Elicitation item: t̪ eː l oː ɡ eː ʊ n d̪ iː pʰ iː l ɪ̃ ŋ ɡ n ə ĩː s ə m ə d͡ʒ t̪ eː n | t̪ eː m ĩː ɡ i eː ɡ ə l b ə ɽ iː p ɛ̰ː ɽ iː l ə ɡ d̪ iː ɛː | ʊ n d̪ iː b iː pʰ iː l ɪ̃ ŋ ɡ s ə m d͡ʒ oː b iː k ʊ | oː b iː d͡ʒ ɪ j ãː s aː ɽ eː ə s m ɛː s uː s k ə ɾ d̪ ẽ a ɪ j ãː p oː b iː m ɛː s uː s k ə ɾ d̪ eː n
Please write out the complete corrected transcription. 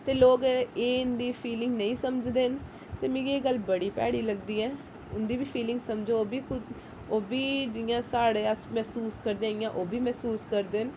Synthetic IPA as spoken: t̪ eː l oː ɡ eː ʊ n d̪ iː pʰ iː l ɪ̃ ŋ ɡ n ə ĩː s ə m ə d͡ʒ d̪ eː n | t̪ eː m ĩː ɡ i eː ɡ ə l b ə ɽ iː p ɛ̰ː ɽ iː l ə ɡ d̪ iː ɛː | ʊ n d̪ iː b iː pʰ iː l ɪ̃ ŋ ɡ s ə m d͡ʒ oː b iː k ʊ | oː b iː d͡ʒ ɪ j ãː s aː ɽ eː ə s m ɛː s uː s k ə ɾ d̪ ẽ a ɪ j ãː ʔ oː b iː m ɛː s uː s k ə ɾ d̪ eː n